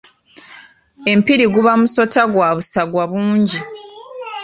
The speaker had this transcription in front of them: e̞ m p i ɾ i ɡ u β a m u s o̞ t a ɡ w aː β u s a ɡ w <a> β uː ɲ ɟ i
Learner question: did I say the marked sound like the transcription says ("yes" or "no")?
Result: yes